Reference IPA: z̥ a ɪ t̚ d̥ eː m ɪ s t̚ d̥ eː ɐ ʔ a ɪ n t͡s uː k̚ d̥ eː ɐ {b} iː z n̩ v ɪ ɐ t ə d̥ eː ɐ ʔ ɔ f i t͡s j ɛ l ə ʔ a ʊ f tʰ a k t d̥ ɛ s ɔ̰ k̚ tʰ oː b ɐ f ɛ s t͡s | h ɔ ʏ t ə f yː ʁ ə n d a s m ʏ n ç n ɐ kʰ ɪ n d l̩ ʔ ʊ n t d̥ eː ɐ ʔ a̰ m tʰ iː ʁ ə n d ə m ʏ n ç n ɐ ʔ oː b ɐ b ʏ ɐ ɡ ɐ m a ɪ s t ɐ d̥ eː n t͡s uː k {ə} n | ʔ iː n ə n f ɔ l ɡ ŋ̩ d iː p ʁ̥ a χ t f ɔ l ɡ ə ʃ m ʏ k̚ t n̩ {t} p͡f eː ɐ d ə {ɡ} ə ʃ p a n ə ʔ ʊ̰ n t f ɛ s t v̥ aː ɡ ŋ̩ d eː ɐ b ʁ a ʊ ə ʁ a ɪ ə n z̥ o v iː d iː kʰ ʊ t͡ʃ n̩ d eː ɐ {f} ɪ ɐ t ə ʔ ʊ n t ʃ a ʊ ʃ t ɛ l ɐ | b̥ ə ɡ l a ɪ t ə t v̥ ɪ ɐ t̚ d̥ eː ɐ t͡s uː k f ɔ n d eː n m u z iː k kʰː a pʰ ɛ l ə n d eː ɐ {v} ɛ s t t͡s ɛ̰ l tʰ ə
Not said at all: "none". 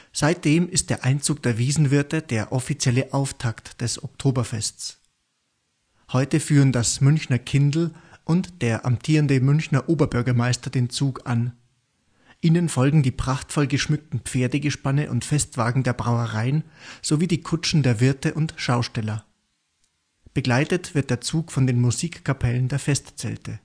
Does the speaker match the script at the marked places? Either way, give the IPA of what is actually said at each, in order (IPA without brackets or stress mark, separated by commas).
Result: v, a, p, ɡ, v, f